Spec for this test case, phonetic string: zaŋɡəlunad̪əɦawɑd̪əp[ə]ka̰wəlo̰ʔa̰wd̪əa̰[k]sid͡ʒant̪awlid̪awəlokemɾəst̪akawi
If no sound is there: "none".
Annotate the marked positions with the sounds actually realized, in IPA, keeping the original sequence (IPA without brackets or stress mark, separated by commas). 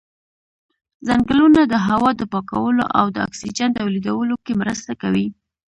ɑ, k